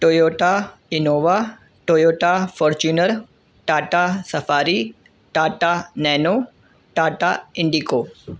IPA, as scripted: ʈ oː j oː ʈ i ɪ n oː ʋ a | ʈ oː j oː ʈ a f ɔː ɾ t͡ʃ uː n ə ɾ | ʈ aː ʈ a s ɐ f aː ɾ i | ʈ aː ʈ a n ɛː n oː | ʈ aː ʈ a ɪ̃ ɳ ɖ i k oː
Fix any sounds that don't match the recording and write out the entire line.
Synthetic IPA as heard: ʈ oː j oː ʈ a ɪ n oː ʋ a | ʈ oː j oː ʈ a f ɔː ɾ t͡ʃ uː n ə ɾ | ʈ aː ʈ a s ɐ f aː ɾ i | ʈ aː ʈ a n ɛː n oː | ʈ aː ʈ a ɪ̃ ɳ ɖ i k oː